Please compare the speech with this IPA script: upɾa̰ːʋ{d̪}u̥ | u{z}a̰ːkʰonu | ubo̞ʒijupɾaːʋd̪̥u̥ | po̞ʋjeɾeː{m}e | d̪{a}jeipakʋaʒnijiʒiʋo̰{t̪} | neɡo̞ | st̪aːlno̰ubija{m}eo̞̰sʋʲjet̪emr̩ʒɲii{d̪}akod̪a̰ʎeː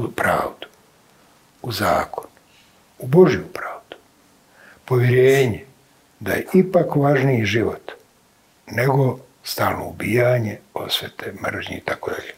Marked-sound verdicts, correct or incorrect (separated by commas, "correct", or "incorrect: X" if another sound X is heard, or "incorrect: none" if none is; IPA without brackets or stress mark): correct, correct, incorrect: ɲ, correct, correct, incorrect: ɲ, incorrect: t̪